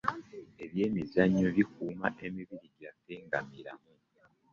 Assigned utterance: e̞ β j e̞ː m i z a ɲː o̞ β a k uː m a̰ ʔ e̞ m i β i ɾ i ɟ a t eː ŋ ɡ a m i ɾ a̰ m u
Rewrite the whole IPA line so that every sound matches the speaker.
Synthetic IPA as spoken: e̞ β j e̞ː m i z a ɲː o̞ β i k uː m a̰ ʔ e̞ m i β i ɾ i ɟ a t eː ŋ ɡ a m i ɾ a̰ m u